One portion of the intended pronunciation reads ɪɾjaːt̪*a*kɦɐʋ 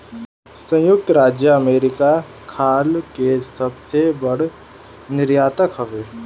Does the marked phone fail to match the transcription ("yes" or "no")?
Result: yes